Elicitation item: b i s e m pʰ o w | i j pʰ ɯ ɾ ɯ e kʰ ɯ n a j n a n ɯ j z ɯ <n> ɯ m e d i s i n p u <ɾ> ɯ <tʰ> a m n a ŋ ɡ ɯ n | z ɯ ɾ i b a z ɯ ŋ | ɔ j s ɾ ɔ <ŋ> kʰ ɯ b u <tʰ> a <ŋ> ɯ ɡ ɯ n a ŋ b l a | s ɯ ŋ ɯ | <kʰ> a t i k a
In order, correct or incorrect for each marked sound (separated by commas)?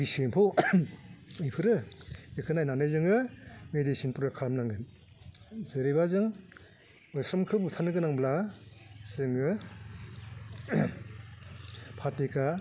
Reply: incorrect, correct, incorrect, incorrect, correct, incorrect, incorrect